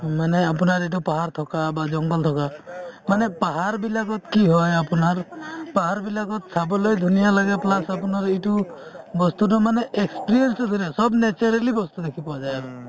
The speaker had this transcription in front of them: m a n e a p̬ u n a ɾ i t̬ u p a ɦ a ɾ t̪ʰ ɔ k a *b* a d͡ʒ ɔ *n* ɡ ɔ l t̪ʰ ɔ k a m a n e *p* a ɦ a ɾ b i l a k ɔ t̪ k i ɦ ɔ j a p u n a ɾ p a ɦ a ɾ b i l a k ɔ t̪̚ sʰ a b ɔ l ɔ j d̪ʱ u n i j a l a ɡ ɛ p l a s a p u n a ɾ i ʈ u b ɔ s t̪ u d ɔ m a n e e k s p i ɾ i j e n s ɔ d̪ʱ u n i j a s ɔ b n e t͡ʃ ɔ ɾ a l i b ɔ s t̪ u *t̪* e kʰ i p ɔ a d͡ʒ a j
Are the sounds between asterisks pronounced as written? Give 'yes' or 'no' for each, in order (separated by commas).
yes, no, yes, no